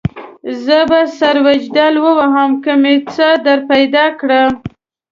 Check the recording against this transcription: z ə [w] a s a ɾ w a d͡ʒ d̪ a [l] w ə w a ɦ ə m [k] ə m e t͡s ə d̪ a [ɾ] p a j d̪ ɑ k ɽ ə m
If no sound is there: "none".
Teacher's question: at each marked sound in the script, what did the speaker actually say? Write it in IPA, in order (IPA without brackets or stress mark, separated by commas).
b, l, k, ɾ